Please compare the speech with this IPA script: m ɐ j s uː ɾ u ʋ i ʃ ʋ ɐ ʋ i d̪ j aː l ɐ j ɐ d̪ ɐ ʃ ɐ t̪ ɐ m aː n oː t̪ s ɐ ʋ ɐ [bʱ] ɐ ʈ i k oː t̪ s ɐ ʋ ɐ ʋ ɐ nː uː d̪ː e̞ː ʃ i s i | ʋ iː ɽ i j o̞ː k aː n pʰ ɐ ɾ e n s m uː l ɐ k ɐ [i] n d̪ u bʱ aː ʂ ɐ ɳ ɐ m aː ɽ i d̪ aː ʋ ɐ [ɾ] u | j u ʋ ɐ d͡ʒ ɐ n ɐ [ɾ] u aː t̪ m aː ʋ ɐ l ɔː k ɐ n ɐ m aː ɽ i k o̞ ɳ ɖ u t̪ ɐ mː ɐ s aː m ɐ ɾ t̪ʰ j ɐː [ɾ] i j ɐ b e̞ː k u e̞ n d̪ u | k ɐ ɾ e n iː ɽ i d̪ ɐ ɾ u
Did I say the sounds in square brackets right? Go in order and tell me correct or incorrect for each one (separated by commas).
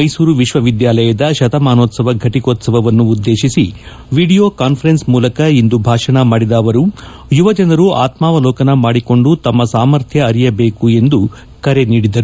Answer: incorrect, correct, correct, correct, correct